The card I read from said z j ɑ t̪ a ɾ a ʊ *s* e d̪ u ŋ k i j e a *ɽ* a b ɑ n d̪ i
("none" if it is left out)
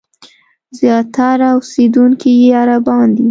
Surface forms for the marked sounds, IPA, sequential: s, ɾ

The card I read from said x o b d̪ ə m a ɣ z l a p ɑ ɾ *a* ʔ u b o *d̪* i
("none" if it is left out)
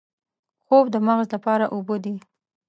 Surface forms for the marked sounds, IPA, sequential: a, d̪

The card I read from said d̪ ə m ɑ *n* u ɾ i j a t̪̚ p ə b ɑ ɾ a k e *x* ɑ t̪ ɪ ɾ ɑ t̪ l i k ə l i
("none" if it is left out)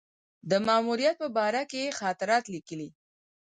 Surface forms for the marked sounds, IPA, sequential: m, x

